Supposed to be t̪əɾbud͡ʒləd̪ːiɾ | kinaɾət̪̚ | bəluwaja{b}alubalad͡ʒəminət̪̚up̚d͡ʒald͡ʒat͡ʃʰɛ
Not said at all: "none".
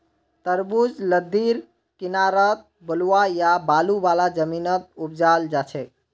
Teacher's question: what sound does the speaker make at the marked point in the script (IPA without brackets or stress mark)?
b